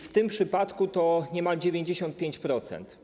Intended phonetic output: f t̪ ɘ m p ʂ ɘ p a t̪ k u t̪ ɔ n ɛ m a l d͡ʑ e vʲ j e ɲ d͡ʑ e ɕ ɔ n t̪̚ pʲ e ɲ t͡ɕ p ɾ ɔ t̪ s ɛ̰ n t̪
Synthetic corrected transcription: f t̪ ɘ m p ʂ ɘ p a t̪ k u t̪ ɔ ɲ ɛ m a l d͡ʑ e vʲ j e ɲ d͡ʑ e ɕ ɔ n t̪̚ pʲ e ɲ t͡ɕ p ɾ ɔ t̪ s ɛ̰ n t̪